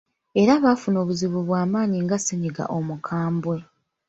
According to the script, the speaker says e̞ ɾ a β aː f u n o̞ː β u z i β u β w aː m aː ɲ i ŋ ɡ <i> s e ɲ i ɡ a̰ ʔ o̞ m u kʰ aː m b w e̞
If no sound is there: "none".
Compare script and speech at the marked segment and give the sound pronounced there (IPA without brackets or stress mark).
a